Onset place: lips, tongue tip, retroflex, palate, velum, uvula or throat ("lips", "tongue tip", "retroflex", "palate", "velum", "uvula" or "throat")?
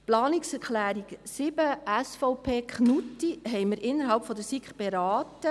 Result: lips